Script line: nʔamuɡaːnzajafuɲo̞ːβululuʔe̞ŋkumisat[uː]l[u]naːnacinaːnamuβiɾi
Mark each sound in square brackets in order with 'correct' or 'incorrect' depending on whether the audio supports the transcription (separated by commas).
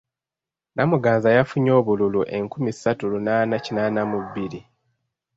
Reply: incorrect, correct